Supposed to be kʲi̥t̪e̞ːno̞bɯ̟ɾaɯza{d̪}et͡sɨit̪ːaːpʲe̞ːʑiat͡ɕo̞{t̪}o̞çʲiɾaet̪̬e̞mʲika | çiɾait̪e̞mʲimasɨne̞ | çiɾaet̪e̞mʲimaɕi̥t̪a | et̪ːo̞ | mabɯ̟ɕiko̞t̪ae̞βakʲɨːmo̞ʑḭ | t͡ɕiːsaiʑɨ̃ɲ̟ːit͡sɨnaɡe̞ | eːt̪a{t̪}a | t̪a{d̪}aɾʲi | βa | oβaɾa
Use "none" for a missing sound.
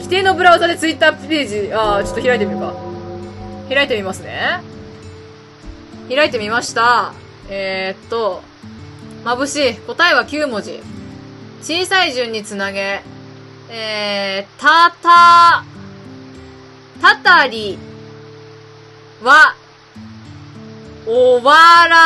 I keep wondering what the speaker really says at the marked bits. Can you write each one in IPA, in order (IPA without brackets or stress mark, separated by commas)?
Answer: d̪, t̪, t̪, t̪